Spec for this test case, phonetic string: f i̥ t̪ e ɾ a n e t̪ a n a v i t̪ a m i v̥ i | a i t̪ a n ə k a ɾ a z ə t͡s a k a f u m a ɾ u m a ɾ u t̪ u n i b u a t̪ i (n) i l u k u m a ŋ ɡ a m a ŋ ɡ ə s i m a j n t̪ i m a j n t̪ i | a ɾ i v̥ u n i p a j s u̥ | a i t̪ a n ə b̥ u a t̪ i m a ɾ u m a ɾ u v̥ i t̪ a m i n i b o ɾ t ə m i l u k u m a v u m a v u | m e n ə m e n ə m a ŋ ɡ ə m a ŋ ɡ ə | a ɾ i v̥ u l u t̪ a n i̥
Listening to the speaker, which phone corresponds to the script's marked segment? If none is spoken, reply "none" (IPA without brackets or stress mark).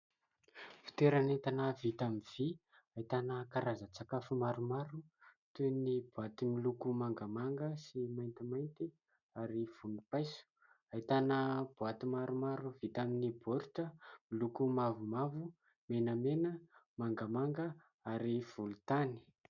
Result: m